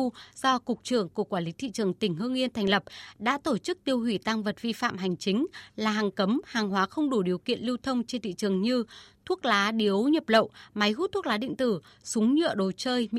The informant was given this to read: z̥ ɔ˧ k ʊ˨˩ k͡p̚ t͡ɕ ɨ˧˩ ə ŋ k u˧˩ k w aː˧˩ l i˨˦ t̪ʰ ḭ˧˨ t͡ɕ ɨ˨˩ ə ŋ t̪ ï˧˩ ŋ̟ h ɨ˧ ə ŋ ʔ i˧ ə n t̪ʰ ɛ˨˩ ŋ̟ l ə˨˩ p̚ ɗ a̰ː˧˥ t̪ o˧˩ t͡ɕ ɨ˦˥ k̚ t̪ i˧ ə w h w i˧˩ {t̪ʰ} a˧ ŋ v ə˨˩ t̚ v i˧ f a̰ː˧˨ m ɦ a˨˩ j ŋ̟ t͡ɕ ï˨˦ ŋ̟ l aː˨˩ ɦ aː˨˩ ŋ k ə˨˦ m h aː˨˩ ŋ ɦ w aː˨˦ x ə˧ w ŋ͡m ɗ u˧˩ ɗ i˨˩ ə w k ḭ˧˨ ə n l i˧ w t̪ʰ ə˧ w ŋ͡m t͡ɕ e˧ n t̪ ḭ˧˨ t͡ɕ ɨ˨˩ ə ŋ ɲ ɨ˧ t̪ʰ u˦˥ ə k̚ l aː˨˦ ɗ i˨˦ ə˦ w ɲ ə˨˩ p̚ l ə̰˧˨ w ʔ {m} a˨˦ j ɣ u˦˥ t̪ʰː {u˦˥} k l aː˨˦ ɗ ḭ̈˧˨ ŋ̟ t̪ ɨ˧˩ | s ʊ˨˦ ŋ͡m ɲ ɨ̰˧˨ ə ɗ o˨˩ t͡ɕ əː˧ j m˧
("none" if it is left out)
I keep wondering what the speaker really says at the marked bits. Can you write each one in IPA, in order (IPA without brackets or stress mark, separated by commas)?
t̪, m, u˦˥